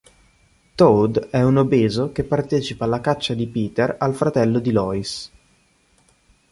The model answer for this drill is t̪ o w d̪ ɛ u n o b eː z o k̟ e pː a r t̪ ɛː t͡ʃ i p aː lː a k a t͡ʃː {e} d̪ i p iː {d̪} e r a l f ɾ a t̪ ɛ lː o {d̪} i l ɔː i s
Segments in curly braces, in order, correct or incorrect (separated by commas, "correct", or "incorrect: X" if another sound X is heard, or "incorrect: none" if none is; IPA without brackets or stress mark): incorrect: a, incorrect: t̪, correct